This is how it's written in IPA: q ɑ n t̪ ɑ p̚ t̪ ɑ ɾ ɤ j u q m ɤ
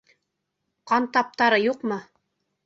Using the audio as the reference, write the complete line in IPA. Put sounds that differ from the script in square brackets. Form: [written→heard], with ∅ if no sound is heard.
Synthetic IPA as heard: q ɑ n t̪ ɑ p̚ t̪ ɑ ɾ ɤ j u q m ɤ